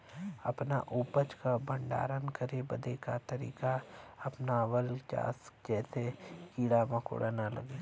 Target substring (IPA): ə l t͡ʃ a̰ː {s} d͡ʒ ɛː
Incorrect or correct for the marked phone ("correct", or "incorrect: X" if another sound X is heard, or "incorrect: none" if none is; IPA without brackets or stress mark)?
correct